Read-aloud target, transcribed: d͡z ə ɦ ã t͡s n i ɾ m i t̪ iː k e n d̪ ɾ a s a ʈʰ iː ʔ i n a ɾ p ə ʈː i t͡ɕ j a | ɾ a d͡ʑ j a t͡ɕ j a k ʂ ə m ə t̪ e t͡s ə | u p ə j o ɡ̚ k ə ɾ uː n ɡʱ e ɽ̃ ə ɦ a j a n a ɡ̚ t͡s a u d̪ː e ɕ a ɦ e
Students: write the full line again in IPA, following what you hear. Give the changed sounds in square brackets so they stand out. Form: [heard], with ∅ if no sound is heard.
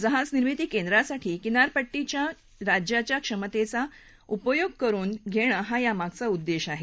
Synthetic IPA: d͡z ə ɦ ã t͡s n i ɾ m i t̪ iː k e n d̪ ɾ a s a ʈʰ iː [k] i n a ɾ p ə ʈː i t͡ɕ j a | ɾ a d͡ʑ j a t͡ɕ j a k ʂ ə m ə t̪ e t͡s [a] | u p ə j o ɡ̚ k ə ɾ uː n ɡʱ e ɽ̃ ə ɦ a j a [m] a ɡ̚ t͡s a u d̪ː e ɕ a ɦ e